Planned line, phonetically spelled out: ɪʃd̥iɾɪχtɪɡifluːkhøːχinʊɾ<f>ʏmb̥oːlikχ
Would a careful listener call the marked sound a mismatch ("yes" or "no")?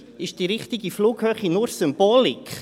yes